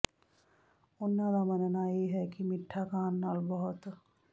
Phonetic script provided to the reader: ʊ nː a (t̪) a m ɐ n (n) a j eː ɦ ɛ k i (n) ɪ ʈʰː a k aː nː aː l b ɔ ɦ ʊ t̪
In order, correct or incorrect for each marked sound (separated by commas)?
incorrect, correct, incorrect